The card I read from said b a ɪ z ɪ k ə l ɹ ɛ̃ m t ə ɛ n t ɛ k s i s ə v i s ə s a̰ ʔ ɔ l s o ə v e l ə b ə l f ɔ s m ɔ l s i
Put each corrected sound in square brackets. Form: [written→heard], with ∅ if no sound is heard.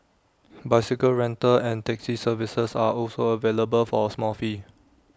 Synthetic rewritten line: b a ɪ [z→s] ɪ k ə l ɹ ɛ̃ [m→n] t ə [ɛ→ɛ̃] n t ɛ k s i s ə v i s ə s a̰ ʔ ɔ l s o ə v e l ə b ə l f ɔ s m ɔ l [s→f] i